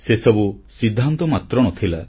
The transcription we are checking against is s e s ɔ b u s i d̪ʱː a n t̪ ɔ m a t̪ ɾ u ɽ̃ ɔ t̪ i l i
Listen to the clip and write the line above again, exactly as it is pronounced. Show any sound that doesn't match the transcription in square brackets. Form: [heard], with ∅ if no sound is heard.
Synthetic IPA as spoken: s e s ɔ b u s i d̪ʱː a n t̪ ɔ m a t̪ ɾ [ɔ] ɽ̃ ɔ [t̪ʰ] i l [a]

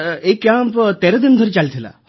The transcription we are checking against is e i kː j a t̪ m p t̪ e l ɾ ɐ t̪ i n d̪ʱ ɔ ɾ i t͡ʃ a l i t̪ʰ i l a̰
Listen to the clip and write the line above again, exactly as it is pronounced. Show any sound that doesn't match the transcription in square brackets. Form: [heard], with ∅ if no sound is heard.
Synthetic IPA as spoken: e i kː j a [∅] m p t̪ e [∅] ɾ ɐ [d̪] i n d̪ʱ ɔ ɾ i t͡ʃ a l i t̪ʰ i l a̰

